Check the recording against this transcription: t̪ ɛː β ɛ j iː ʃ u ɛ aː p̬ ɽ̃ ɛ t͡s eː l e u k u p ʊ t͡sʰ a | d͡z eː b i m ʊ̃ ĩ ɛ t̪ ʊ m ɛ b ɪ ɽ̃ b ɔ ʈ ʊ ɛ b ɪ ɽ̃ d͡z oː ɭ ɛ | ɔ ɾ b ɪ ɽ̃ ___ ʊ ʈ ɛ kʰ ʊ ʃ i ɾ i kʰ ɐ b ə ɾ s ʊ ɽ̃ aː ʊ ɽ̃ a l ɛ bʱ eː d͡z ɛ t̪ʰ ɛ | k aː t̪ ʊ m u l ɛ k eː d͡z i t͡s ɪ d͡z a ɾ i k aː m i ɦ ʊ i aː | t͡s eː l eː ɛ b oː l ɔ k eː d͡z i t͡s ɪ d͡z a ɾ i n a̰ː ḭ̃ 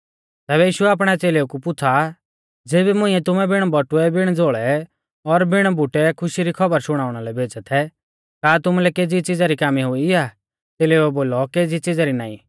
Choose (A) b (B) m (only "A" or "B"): A